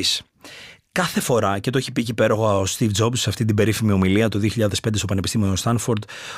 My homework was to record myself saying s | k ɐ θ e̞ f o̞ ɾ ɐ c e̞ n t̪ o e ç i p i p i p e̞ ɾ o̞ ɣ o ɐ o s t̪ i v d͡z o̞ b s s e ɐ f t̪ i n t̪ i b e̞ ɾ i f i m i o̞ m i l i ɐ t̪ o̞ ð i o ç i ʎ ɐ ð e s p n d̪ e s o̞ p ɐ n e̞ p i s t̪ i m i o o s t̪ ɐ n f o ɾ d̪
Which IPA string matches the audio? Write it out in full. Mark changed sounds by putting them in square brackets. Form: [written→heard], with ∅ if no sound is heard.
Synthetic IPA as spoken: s | k ɐ θ e̞ f o̞ ɾ ɐ c e̞ [n→∅] t̪ o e ç i p i [p→c] i p e̞ ɾ o̞ ɣ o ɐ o s t̪ i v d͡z o̞ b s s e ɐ f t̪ i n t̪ i b e̞ ɾ i f i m i o̞ m i l i ɐ t̪ o̞ ð i o ç i ʎ ɐ ð e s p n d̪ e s o̞ p ɐ n e̞ p i s t̪ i m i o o s t̪ ɐ n f o ɾ d̪